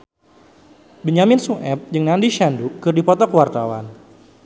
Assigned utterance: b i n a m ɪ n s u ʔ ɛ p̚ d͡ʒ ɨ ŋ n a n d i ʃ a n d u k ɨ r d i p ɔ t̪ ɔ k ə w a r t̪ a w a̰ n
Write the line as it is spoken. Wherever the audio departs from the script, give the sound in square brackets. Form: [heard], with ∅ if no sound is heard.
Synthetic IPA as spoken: b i [ɲ] a m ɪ n s u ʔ ɛ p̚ d͡ʒ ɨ ŋ n a n d i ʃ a n d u k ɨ r d i p ɔ t̪ ɔ k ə w a r t̪ a w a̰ n